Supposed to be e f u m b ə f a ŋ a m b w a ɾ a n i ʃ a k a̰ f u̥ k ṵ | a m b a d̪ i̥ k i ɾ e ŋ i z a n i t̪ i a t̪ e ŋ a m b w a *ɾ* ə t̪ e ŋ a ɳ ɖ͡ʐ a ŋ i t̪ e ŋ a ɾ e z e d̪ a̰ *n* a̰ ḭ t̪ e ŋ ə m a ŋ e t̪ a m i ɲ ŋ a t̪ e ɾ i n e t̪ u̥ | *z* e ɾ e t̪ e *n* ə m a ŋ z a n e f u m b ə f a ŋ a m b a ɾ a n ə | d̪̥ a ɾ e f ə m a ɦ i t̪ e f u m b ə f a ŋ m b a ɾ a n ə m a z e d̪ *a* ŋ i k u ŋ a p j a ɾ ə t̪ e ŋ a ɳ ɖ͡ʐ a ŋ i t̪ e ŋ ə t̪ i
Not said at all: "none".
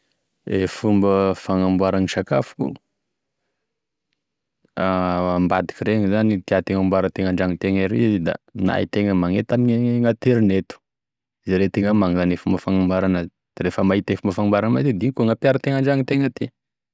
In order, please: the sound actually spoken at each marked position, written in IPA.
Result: ɾ, n, z, ŋ, i

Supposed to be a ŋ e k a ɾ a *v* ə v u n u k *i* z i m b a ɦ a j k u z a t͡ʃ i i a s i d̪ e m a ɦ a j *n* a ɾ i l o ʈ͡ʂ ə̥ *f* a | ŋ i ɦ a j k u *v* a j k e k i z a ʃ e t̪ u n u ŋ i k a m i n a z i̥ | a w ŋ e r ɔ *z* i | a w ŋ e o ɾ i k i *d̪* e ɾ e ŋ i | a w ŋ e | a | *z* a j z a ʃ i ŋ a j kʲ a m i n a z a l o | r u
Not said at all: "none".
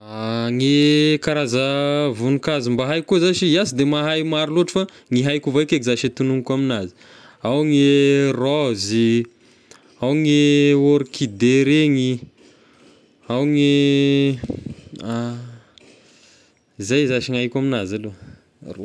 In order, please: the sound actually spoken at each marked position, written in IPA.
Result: z, a, m, f, v, z, d̪, z

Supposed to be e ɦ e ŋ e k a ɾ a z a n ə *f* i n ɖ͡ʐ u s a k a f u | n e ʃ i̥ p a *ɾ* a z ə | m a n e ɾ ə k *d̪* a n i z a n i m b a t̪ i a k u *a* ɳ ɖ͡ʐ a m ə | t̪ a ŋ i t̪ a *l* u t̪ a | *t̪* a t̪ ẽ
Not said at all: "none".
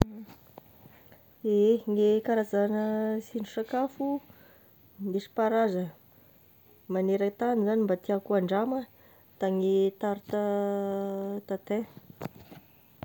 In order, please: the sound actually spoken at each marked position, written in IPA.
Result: s, ɾ, t̪, a, ɾ, t̪

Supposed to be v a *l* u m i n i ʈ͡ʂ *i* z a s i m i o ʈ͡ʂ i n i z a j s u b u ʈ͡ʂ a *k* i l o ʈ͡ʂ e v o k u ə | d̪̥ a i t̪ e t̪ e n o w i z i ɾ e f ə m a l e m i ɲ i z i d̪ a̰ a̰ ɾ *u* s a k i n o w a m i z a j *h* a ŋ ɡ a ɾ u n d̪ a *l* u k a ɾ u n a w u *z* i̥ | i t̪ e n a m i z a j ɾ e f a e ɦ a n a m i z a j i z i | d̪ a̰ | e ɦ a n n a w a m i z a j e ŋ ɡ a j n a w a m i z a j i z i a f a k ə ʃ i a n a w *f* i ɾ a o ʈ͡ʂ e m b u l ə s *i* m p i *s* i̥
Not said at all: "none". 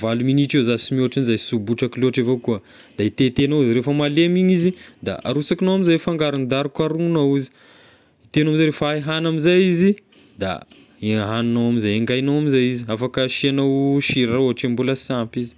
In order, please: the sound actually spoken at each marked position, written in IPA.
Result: l, e, k, u, f, ɾ, z, ʃ, a, z

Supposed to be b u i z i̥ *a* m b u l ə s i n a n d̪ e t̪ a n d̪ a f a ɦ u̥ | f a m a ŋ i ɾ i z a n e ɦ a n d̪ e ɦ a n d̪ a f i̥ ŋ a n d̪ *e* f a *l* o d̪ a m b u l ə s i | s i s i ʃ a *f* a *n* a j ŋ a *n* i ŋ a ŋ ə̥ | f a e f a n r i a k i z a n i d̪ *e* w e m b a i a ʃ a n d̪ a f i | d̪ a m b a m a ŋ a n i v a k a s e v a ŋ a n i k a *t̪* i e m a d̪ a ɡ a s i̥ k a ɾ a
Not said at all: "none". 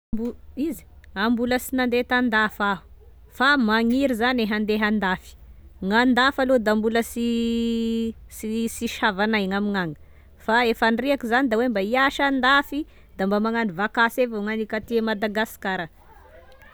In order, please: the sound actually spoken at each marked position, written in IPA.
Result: a, a, l, v, n, m, a, t̪

